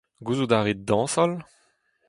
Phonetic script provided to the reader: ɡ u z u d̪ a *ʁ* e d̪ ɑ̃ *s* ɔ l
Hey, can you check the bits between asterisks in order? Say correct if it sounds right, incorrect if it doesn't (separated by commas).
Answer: correct, correct